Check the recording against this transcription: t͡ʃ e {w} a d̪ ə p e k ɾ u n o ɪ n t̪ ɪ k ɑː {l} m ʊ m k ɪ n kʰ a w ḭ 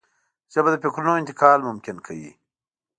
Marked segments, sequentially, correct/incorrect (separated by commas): incorrect, correct